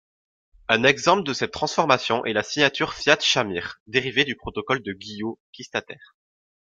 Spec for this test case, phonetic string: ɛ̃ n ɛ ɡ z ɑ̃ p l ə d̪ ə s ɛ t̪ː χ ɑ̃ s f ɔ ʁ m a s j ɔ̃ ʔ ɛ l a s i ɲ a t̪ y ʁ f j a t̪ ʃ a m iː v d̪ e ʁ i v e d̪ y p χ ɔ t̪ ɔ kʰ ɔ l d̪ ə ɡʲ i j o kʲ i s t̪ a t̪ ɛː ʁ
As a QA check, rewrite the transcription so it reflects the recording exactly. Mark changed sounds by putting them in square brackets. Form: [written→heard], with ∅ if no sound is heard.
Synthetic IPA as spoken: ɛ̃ n ɛ ɡ z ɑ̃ p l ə d̪ ə s ɛ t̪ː χ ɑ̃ s f ɔ ʁ m a s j ɔ̃ ʔ ɛ l a s i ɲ a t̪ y ʁ f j a t̪ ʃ a m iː [v→ʁ] d̪ e ʁ i v e d̪ y p χ ɔ t̪ ɔ [kʰ→k] ɔ l d̪ ə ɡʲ i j o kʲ i s t̪ a t̪ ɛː ʁ